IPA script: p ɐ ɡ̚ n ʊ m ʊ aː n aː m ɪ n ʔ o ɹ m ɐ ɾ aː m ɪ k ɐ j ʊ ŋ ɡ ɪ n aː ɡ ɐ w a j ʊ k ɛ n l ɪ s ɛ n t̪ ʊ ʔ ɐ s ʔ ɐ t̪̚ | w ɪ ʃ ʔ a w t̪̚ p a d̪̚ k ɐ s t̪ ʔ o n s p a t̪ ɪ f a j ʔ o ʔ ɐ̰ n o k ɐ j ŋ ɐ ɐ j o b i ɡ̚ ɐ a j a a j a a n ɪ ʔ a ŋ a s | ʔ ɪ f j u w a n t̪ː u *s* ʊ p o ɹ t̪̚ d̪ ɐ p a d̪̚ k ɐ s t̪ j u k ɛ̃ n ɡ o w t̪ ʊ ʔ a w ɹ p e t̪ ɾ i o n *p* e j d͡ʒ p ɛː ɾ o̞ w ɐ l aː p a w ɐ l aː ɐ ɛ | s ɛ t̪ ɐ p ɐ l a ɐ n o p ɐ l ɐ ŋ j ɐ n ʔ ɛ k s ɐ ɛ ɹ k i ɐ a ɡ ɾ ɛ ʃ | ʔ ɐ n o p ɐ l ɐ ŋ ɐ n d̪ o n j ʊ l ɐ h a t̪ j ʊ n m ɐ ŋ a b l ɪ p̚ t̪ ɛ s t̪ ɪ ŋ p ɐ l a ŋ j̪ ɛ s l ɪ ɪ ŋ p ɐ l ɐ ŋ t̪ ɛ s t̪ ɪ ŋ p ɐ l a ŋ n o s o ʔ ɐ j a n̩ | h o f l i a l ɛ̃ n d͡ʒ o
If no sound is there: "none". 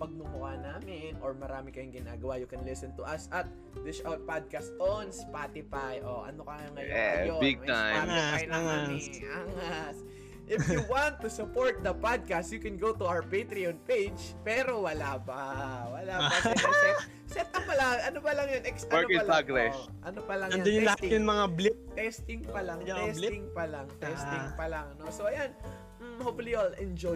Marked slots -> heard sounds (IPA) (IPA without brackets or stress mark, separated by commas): s, p